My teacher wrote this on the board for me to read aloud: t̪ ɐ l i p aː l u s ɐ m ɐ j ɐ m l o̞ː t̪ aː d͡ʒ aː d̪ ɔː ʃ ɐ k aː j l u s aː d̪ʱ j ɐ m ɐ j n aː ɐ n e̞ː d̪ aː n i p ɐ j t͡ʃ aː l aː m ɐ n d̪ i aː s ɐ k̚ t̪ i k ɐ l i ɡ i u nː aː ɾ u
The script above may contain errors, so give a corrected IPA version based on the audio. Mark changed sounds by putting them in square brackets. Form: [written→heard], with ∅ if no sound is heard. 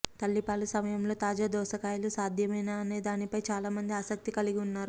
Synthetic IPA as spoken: t̪ ɐ [l→lː] i p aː l u s ɐ m ɐ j ɐ m l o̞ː t̪ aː d͡ʒ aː d̪ ɔː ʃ ɐ k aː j l u s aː d̪ʱ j ɐ m ɐ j n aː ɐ n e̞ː d̪ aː n i p ɐ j t͡ʃ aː l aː m ɐ n d̪ i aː s ɐ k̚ t̪ i k ɐ l i ɡ i u nː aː ɾ u